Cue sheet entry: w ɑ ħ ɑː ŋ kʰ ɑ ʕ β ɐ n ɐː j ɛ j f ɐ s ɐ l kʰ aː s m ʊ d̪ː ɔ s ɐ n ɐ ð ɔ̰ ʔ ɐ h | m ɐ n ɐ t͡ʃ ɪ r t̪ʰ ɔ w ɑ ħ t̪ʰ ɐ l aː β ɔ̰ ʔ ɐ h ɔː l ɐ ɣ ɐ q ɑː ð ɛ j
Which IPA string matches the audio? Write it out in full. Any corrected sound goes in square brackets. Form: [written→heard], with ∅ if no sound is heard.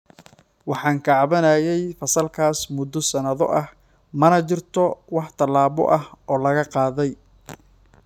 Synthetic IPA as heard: w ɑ ħ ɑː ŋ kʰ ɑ ʕ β ɐ n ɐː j ɛ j f ɐ s ɐ l kʰ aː s m ʊ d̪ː ɔ s ɐ n ɐ ð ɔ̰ ʔ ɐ h | m ɐ n ɐ t͡ʃ ɪ r t̪ʰ ɔ w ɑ ħ t̪ʰ ɐ l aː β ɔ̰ ʔ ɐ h ɔː l ɐ ɣ ɐ q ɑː ð ɛ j